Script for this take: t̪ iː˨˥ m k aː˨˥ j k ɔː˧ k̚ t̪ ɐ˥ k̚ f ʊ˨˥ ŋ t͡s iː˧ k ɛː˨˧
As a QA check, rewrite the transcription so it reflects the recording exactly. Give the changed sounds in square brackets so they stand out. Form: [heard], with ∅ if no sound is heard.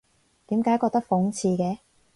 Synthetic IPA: t̪ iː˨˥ m k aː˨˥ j k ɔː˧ k̚ t̪ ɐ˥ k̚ f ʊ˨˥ ŋ [t͡sʰ] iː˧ k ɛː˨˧

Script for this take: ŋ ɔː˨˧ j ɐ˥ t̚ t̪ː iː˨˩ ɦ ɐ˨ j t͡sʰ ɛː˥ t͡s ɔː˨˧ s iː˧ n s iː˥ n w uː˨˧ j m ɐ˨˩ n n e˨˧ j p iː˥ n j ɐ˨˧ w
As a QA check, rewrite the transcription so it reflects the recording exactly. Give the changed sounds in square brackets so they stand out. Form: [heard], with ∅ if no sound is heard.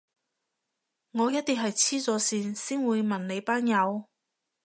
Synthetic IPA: ŋ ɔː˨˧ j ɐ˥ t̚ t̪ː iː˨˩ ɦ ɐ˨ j t͡sʰ [iː˥] t͡s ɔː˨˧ s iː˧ n s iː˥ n w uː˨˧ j m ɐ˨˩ n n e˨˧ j p [aː˥] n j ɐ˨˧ w

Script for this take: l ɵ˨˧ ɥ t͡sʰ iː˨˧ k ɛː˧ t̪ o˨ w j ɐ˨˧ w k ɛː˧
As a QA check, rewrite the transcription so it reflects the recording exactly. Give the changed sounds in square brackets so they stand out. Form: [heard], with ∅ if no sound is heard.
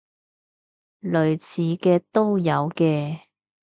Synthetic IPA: l ɵ˨˧ ɥ t͡sʰ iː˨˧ k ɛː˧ t̪ [o˥] w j ɐ˨˧ w k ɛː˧

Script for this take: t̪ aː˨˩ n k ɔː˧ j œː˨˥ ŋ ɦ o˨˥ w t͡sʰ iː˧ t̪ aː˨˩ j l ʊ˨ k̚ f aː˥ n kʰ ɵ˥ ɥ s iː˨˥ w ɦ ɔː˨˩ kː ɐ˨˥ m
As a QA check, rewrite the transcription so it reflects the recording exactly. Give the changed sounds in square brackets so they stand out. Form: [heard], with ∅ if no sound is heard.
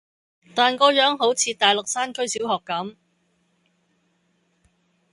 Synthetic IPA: t̪ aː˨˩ n k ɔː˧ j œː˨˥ ŋ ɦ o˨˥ w t͡sʰ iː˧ t̪ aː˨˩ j l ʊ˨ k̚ [s] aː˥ n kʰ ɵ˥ ɥ s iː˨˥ w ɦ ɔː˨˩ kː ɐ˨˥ m

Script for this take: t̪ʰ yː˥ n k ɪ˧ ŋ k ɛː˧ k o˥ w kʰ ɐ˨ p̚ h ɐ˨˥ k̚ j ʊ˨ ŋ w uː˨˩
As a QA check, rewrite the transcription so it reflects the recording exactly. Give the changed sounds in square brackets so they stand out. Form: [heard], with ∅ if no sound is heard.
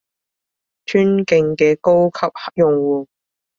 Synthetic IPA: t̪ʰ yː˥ n k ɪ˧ ŋ k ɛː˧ k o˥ w kʰ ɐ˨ p̚ h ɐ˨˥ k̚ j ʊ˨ ŋ w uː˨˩

